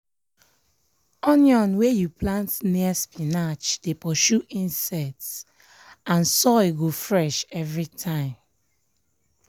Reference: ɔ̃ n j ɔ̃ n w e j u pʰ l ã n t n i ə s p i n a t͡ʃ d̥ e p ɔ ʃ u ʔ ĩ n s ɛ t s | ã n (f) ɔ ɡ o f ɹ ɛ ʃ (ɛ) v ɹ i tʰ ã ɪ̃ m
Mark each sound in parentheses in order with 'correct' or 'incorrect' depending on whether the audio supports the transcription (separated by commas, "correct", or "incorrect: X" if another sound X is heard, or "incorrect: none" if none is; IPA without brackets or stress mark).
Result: incorrect: s, correct